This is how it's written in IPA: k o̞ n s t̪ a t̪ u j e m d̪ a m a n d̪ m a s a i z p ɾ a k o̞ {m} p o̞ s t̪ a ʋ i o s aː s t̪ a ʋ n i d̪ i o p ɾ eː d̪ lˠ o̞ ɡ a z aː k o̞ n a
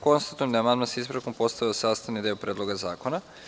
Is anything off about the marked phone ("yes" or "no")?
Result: no